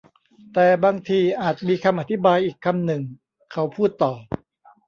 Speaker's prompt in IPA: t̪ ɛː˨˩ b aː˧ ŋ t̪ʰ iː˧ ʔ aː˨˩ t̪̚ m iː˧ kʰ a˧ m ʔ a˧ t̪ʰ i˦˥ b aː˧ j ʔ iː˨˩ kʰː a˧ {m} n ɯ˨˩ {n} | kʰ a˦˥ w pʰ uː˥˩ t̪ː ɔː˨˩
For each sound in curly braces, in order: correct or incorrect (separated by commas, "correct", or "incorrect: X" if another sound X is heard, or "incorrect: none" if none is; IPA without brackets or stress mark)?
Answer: correct, incorrect: ŋ